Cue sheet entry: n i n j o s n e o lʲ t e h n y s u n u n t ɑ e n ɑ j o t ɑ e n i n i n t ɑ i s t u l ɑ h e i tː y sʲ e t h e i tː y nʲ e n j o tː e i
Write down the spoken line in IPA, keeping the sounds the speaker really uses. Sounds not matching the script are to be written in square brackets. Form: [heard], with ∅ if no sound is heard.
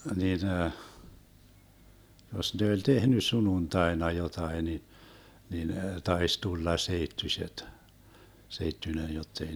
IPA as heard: n i n j o s n e o lʲ t e h n y s u n u n t ɑ e n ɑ j o t ɑ [i] n i n i n t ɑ i s t u [lː] ɑ [s] e i tː y sʲ e t [s] e i tː y nʲ e n j o tː e i